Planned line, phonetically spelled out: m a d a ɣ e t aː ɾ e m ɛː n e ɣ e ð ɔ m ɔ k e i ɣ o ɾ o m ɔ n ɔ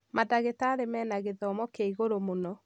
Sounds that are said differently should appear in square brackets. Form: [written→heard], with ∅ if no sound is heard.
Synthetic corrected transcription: m a d a ɣ e t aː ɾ e m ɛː n [e→a] ɣ e ð ɔ m ɔ k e i ɣ o ɾ o m [ɔ→o] n ɔ